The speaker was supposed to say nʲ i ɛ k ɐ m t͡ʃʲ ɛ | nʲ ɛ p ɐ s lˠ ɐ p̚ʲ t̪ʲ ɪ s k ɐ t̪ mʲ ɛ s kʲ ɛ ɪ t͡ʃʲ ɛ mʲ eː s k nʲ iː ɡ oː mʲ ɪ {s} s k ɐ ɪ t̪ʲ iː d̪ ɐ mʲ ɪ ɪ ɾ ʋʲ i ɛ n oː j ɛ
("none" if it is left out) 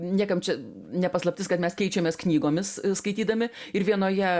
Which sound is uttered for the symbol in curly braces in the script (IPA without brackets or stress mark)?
s